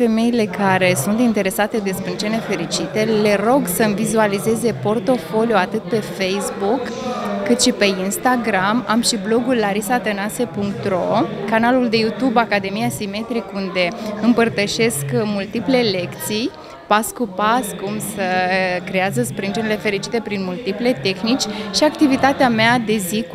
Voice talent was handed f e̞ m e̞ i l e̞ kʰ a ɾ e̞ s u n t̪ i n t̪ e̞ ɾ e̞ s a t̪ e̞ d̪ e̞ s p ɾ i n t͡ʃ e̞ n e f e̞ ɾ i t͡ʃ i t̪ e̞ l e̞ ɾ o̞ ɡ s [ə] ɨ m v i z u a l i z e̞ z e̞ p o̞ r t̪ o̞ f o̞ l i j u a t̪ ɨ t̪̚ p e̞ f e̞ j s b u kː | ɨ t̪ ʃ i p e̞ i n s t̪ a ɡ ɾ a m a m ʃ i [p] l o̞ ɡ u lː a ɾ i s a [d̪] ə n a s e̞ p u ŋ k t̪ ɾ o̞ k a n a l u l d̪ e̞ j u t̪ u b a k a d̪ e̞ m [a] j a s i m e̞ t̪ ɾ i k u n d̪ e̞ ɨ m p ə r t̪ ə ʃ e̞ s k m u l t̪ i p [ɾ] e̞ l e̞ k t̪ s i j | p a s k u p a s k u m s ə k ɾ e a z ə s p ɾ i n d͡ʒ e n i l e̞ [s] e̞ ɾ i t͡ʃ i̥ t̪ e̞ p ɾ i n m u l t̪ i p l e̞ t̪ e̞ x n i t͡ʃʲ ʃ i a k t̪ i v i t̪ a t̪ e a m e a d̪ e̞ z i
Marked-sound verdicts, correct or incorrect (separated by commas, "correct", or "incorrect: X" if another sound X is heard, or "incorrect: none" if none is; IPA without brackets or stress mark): correct, incorrect: b, incorrect: t̪, incorrect: i, incorrect: l, incorrect: f